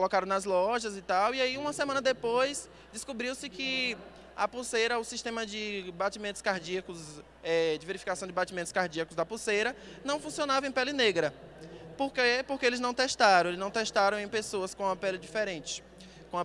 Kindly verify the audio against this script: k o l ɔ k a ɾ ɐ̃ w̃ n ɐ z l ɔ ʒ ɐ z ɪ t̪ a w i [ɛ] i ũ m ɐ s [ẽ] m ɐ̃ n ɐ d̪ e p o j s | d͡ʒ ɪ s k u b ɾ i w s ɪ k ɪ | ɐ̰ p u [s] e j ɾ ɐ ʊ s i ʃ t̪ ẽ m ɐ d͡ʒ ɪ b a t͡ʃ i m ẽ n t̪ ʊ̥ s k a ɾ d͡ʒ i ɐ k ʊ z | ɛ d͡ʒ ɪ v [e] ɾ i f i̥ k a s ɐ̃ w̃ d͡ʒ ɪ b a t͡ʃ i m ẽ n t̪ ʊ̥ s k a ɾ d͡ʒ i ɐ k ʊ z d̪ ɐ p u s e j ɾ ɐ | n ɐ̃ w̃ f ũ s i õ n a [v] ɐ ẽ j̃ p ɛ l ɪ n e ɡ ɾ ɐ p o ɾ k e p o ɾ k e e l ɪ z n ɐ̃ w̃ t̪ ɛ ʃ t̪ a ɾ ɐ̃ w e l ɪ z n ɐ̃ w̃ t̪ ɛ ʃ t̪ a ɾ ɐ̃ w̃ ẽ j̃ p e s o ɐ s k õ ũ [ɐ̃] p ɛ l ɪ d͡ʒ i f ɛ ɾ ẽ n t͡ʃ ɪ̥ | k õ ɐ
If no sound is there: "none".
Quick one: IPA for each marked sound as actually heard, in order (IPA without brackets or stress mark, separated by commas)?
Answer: a, e, s, e, v, ɐ